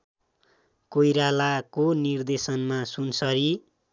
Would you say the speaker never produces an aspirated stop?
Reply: yes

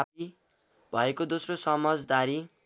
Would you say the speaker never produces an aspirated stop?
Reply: yes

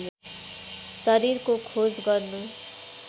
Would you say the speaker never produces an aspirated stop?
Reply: no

